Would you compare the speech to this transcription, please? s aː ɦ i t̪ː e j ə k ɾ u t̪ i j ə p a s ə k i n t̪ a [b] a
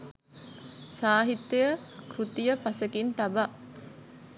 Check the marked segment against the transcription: correct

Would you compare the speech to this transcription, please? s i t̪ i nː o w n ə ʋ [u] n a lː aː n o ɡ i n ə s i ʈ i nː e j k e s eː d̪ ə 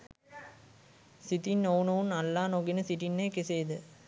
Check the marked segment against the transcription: correct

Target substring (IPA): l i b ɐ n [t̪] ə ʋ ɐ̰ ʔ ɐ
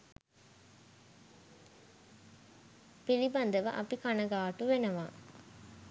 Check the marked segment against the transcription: incorrect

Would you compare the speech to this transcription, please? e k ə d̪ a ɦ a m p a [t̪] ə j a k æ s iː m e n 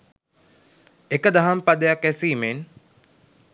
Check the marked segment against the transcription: incorrect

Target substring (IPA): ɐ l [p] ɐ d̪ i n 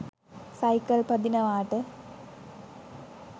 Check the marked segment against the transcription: correct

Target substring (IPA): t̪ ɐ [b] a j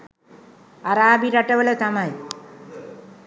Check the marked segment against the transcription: incorrect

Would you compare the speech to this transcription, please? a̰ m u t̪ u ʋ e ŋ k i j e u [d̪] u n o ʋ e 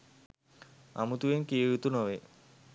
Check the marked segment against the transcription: incorrect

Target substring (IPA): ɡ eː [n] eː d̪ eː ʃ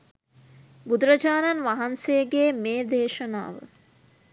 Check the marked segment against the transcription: incorrect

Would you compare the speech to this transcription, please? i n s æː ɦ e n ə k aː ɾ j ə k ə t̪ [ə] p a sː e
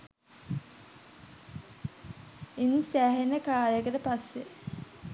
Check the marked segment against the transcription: correct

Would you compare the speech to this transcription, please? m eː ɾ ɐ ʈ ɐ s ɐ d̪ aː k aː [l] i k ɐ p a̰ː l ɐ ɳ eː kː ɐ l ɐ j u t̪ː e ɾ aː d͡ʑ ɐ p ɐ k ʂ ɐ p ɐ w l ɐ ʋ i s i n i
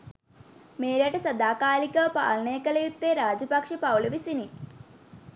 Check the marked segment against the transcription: correct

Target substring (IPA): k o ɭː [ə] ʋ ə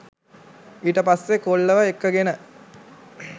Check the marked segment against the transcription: correct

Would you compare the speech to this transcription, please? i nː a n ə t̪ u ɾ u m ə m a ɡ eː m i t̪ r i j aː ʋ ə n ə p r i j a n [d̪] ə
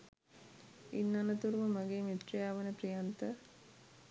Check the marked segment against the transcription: incorrect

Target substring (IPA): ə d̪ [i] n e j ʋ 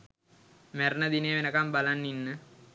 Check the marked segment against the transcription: correct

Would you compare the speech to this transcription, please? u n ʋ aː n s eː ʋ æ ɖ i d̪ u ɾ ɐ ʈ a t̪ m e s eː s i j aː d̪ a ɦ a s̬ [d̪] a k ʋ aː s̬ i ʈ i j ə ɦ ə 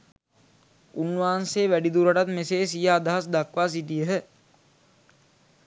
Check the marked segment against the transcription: correct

